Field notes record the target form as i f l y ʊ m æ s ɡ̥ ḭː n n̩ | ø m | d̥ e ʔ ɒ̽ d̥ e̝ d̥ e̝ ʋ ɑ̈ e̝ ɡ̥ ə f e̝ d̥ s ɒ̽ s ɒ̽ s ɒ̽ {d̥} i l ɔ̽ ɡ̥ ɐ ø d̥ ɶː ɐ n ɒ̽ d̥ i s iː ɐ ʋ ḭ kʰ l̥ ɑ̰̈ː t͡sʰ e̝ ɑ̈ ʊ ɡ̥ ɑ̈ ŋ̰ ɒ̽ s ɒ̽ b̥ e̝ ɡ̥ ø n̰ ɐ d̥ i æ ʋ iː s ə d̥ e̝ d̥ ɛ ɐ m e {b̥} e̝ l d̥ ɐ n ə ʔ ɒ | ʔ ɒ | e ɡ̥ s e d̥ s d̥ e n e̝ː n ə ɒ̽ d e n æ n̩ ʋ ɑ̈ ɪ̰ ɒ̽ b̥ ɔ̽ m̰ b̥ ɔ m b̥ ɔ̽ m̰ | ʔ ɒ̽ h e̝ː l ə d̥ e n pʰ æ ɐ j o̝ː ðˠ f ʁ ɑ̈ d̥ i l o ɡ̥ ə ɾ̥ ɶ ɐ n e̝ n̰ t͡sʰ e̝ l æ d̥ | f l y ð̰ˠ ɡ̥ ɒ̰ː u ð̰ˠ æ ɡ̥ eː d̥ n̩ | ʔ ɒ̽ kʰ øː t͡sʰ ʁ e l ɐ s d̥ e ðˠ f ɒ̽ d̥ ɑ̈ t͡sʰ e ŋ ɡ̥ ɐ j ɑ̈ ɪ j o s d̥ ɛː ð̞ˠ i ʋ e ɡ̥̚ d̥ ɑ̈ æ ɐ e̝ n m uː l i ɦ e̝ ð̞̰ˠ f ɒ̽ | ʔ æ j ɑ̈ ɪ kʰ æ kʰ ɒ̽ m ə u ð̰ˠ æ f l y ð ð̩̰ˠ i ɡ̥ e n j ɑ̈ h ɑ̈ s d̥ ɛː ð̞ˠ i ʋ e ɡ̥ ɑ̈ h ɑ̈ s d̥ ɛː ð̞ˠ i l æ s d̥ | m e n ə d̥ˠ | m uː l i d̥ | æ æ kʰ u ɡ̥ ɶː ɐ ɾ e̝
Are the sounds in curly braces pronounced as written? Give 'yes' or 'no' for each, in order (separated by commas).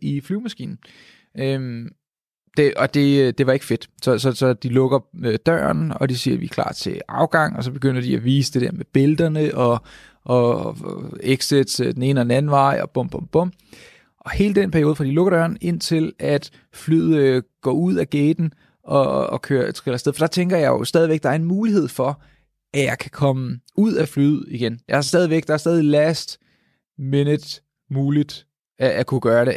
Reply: yes, yes